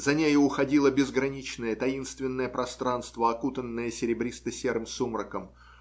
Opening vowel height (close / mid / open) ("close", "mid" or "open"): open